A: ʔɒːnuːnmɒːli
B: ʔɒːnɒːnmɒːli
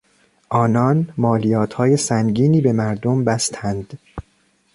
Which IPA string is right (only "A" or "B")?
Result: B